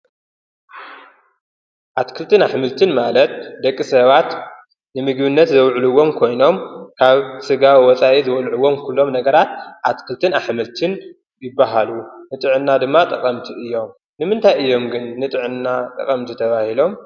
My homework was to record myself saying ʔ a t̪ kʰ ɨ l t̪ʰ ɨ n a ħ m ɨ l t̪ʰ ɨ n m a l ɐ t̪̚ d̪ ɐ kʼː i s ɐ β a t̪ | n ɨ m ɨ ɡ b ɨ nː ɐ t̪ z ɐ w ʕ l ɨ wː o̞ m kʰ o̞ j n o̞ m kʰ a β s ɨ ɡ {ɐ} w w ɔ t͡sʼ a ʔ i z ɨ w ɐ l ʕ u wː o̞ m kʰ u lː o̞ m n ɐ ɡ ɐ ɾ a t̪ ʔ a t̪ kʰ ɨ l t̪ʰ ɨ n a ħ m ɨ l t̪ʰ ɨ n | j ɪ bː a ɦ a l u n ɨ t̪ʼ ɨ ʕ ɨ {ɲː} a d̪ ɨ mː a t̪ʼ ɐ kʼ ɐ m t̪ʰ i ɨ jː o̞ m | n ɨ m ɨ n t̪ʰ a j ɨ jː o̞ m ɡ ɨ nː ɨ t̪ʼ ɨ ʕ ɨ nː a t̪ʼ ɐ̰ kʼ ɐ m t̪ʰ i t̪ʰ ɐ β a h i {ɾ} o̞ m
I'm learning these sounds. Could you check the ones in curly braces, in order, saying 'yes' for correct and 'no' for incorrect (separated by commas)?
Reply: no, no, no